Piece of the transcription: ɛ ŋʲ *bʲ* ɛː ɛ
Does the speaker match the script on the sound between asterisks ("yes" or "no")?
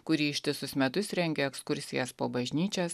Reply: no